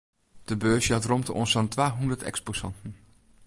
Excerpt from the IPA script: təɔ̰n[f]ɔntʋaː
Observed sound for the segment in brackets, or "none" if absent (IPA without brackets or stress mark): s